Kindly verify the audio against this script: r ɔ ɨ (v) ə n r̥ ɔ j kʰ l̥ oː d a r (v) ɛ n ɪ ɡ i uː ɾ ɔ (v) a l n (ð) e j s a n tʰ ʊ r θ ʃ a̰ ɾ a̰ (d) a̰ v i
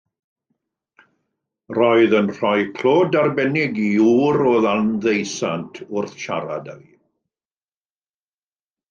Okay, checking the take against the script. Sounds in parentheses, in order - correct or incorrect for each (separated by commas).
incorrect, incorrect, incorrect, correct, correct